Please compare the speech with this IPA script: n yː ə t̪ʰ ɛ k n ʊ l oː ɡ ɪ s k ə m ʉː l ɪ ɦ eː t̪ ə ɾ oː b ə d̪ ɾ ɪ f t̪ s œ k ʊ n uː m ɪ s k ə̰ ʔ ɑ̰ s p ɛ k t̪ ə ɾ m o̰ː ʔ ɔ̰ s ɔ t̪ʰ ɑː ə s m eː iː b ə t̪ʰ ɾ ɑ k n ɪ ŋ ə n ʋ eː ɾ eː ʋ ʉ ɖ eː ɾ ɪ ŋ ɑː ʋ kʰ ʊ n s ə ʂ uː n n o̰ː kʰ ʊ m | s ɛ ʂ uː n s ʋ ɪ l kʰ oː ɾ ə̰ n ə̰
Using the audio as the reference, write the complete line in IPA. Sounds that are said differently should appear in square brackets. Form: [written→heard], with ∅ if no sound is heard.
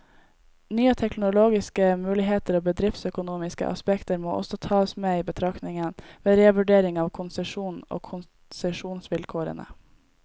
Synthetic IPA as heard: n yː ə t̪ʰ ɛ k n ʊ l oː ɡ ɪ s k ə m ʉː l ɪ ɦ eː t̪ ə ɾ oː b ə d̪ ɾ ɪ f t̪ s œ k ʊ n uː m ɪ s k ə̰ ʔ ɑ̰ s p ɛ k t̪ ə ɾ m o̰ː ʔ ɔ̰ s ɔ t̪ʰ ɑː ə s m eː iː b ə t̪ʰ ɾ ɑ k n ɪ ŋ ə n ʋ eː ɾ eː ʋ ʉ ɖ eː ɾ ɪ ŋ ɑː ʋ kʰ ʊ n s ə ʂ uː n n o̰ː kʰ ʊ [m→n] | s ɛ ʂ uː n s ʋ ɪ l kʰ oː ɾ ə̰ n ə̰